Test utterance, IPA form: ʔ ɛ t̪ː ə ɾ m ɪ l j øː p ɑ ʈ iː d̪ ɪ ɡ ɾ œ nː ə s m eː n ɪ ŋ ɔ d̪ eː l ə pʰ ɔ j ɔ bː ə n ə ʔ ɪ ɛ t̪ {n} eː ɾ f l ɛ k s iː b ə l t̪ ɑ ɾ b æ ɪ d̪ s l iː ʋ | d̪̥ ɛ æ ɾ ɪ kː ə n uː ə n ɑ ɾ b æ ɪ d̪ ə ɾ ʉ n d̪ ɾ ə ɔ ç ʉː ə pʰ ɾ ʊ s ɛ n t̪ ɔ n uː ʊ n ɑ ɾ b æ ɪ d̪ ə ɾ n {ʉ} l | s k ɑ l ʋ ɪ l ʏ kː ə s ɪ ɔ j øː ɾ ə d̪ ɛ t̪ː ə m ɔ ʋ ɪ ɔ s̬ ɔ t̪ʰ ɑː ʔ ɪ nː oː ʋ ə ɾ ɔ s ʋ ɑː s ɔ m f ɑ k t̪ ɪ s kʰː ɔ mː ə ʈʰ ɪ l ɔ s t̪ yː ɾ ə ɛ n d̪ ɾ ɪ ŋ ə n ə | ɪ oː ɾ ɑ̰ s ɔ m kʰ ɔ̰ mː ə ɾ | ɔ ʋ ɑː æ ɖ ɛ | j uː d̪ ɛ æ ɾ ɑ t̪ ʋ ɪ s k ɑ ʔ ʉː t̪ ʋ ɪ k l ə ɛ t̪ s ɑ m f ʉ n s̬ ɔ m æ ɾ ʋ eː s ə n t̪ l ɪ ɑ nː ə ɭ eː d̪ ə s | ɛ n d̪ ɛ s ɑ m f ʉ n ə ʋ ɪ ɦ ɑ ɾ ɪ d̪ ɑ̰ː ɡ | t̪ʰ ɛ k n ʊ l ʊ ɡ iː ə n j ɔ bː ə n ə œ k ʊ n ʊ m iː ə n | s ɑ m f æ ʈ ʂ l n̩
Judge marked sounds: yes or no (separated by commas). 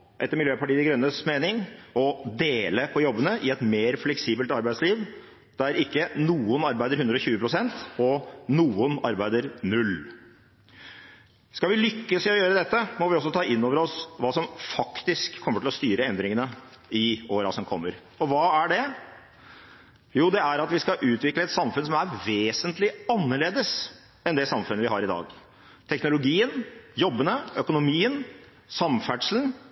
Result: no, yes